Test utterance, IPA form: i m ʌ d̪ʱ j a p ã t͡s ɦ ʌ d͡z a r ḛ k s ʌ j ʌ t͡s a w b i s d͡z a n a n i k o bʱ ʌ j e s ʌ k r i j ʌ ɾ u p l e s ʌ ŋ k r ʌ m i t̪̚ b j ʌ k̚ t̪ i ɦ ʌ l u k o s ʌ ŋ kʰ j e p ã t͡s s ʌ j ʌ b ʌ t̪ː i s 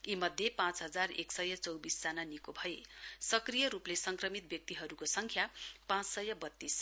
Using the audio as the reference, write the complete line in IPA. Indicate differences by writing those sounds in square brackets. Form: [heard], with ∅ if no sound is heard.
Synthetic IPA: i m ʌ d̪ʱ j [e] p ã t͡s ɦ ʌ d͡z a r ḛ k s ʌ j ʌ t͡s [ʌ] w b i s d͡z a n a n i k o bʱ ʌ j e s ʌ k r i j ʌ ɾ u p l e s ʌ ŋ k r ʌ m i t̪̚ b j ʌ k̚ t̪ i ɦ ʌ [ɾ] u k o s ʌ ŋ kʰ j [a] p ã t͡s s ʌ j ʌ b ʌ t̪ː i s